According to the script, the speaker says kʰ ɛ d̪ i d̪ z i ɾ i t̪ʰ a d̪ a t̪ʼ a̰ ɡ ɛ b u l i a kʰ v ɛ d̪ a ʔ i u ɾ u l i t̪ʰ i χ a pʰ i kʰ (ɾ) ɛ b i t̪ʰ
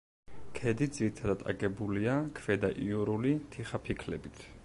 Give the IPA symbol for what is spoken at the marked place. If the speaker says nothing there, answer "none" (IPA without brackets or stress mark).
l